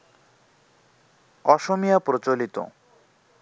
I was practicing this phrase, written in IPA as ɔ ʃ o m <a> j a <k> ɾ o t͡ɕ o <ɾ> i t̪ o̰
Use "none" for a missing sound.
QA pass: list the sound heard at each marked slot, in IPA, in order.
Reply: i, p, l

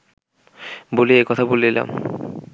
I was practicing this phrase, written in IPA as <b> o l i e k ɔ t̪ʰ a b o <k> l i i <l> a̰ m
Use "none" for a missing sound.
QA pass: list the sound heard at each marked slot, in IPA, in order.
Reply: b, none, l

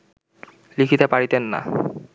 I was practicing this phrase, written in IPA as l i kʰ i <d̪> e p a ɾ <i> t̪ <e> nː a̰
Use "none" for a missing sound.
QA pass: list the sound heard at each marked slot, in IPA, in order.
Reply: t̪, i, e

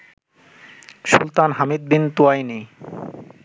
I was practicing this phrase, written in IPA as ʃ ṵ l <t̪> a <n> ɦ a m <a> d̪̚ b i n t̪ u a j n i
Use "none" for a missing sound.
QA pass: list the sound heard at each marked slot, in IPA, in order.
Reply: t̪, n, i

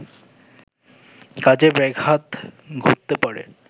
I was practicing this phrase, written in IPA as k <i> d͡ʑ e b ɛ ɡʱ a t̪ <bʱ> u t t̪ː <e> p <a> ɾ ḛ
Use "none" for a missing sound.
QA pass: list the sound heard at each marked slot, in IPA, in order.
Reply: a, ɡʱ, e, a

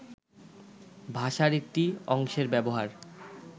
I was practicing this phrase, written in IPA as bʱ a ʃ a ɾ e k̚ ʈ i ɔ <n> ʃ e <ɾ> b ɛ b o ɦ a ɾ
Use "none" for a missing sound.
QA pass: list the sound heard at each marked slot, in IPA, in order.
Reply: ŋ, ɾ

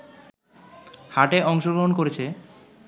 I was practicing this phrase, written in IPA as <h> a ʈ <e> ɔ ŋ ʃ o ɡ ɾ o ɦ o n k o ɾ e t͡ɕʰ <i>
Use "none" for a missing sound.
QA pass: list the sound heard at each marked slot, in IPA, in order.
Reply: h, e, e

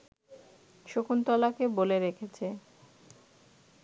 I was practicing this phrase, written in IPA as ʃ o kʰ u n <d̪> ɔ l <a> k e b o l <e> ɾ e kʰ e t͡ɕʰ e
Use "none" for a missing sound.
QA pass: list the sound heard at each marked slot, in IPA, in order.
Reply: t̪, a, e

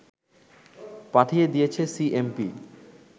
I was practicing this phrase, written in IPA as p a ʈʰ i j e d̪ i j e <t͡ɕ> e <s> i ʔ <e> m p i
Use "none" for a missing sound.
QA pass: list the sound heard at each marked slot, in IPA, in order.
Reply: t͡ɕʰ, s, e

